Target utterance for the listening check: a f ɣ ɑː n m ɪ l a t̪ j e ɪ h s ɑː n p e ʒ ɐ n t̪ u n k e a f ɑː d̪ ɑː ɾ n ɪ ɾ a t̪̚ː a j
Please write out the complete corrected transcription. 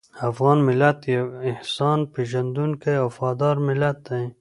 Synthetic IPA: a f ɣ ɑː n m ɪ l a t̪ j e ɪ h s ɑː n p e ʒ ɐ n d̪ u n k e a f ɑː d̪ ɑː ɾ m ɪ l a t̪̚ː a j

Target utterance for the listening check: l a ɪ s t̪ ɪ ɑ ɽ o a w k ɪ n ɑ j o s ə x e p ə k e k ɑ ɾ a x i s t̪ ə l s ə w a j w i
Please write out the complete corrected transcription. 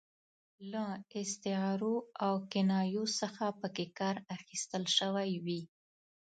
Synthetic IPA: l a ɪ s t̪ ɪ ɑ ɾ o a w k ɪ n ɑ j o s ə x a p ə k e k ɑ ɾ a x i s t̪ ə l ʃ ə w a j w i

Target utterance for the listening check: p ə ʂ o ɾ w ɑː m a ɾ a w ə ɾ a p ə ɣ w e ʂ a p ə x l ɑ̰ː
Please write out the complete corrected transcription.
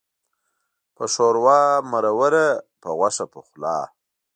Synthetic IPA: p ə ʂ o ɾ w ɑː m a ɾ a w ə ɾ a p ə ɣ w a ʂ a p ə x l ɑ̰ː

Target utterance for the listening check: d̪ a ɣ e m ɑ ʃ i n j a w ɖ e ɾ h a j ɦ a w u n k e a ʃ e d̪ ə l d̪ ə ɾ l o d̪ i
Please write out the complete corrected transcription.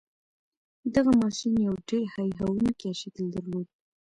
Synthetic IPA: d̪ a ɣ a m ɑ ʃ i n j a w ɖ e ɾ h a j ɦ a w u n k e a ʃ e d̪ ə l d̪ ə ɾ l o d̪ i

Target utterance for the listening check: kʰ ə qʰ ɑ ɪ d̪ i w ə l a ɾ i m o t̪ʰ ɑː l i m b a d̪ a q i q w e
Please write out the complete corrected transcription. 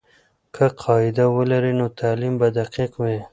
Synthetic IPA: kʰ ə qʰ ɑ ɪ d̪ a w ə l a ɾ i n o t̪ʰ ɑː l i m b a d̪ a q i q w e

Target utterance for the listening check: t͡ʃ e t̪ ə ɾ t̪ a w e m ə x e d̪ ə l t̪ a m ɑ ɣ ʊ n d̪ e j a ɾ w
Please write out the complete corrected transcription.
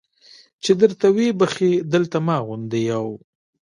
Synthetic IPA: t͡ʃ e d̪ ə ɾ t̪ a w e b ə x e d̪ ə l t̪ a m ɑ ɣ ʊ n d̪ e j a w

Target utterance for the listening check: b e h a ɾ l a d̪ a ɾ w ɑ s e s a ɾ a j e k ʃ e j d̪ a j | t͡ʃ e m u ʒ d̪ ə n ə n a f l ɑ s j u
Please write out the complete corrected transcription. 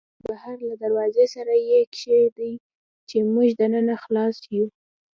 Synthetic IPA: b a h a ɾ l a d̪ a ɾ w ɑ z e s a ɾ a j e k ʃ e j d̪ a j | t͡ʃ e m u ʒ d̪ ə n ə n a x l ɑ s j u

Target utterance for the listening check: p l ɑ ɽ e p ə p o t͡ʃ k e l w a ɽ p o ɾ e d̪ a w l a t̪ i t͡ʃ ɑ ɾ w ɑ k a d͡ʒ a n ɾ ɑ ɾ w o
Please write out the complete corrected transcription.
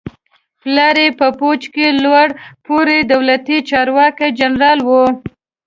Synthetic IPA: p l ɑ ɾ e p ə p o t͡ʃ k e l w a ɽ p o ɾ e d̪ a w l a t̪ i t͡ʃ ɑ ɾ w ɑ k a d͡ʒ a n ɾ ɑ l w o

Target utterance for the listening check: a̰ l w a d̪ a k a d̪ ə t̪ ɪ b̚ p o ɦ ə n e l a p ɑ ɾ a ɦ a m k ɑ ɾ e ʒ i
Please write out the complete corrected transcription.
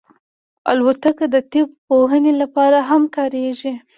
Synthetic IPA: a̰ l w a t̪ a k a d̪ ə t̪ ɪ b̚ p o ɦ ə n e l a p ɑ ɾ a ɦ a m k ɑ ɾ e ʒ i

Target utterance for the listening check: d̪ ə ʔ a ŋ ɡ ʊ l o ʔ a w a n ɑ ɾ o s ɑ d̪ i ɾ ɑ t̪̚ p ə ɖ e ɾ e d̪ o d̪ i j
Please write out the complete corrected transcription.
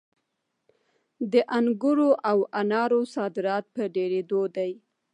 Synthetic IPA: d̪ ə ʔ a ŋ ɡ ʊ ɾ o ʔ a w a n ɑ ɾ o s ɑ d̪ ɪ ɾ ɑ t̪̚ p ə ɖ e ɾ e d̪ o d̪ a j

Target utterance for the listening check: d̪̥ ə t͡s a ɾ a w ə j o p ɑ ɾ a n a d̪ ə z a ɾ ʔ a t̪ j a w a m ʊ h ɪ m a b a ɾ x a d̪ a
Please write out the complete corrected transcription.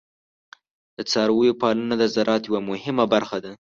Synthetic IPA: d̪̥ ə t͡s ɑ ɾ a w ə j o p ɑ l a n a d̪ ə z a ɾ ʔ ɑ t̪ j a w a m ʊ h ɪ m a b a ɾ x a d̪ a

